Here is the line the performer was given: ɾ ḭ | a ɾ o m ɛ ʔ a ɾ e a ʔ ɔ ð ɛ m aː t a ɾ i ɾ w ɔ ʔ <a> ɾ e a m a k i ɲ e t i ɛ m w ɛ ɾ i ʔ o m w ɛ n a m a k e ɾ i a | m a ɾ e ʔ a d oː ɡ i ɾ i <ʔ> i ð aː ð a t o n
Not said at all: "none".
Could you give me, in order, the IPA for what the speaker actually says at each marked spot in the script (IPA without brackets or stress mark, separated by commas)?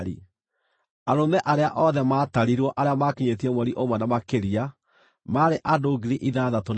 a, ʔ